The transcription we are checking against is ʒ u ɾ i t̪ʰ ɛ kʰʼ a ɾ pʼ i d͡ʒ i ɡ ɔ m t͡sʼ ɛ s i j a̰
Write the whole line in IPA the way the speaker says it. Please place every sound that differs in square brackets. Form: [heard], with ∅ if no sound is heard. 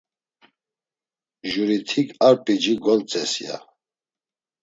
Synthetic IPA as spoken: ʒ u ɾ i t̪ʰ [i] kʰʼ a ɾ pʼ i d͡ʒ i ɡ ɔ [n] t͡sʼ ɛ s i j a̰